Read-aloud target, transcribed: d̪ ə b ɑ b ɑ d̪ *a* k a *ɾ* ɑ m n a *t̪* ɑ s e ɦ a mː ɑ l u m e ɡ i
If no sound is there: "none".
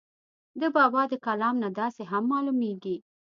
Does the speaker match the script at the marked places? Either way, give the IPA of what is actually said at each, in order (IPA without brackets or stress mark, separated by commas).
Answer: ə, l, d̪